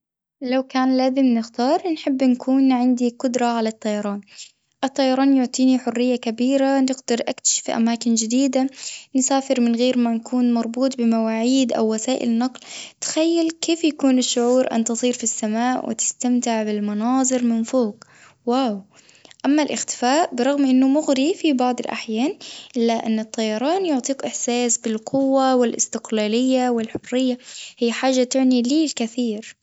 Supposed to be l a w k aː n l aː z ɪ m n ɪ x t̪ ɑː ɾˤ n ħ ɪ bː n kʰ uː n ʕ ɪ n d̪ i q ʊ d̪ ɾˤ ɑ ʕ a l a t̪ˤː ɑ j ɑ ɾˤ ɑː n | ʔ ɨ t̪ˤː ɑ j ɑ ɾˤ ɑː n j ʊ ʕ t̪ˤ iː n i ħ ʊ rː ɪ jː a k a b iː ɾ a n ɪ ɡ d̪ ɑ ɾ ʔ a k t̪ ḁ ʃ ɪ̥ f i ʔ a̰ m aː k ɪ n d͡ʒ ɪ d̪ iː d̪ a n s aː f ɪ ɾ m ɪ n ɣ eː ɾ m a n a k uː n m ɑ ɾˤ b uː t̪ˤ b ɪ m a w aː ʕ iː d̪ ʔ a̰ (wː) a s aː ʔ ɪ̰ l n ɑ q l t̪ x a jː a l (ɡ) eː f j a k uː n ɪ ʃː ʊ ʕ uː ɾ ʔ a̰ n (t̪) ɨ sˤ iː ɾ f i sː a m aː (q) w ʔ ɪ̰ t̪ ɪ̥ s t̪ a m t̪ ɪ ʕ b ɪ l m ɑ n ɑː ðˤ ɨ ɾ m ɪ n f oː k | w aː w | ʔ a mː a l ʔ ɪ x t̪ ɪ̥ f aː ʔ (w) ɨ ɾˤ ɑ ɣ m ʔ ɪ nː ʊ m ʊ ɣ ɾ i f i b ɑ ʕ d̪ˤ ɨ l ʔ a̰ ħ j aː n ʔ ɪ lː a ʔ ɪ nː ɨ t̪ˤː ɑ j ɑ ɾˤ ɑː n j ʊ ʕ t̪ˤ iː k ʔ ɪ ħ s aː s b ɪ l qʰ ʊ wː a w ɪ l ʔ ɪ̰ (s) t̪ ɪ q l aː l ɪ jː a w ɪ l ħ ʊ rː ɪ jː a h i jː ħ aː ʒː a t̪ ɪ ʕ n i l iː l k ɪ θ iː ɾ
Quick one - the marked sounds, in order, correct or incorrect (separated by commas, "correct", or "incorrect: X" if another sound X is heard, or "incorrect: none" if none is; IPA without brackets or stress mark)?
correct, incorrect: k, correct, incorrect: ʔ, incorrect: b, correct